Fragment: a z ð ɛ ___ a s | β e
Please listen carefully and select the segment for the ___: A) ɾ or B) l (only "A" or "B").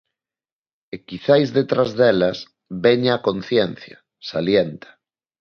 B